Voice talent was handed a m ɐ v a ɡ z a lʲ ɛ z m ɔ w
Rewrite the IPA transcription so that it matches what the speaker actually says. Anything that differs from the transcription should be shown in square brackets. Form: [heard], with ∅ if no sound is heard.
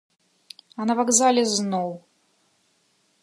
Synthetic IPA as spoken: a [n] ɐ v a ɡ z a lʲ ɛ z [n] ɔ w